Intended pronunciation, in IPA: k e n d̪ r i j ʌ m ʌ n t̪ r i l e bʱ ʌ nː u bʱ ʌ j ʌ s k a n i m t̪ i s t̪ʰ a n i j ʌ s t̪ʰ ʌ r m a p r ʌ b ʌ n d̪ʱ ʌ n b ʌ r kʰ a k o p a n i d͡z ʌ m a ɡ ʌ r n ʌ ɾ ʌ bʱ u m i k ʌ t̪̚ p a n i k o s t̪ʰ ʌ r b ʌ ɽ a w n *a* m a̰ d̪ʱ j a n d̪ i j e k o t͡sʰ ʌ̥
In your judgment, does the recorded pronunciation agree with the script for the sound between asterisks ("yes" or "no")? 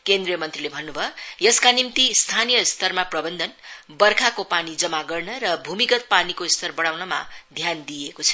no